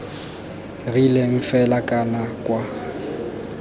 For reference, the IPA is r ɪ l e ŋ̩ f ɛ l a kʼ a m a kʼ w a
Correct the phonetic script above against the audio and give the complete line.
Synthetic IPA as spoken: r i l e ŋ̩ f ɛ l a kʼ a n a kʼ w a